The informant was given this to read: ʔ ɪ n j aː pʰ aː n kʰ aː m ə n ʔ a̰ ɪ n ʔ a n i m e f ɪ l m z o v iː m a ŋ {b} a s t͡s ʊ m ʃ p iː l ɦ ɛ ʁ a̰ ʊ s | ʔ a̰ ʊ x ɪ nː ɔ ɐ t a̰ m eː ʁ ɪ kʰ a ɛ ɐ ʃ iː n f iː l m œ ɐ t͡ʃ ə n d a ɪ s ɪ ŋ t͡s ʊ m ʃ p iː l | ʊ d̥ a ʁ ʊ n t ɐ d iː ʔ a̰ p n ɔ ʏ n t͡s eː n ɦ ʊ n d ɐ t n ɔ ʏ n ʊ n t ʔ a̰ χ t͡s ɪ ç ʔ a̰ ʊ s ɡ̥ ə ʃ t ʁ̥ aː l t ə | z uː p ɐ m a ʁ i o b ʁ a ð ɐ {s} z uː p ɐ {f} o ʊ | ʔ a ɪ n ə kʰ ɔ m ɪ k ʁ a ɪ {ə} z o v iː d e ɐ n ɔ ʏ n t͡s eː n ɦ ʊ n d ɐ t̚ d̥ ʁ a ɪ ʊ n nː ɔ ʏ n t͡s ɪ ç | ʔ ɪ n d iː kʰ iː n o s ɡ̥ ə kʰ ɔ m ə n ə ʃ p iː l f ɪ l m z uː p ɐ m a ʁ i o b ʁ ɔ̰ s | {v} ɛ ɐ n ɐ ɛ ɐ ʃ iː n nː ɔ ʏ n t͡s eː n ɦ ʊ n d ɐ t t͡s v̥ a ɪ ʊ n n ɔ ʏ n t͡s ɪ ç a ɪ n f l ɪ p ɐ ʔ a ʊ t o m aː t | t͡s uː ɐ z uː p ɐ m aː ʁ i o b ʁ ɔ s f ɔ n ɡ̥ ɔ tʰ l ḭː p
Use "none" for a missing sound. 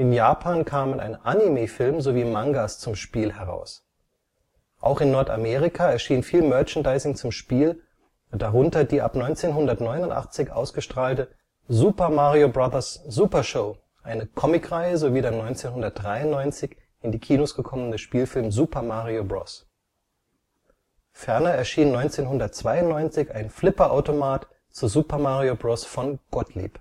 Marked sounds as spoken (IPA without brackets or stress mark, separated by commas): ɡ, s, ʃ, ə, f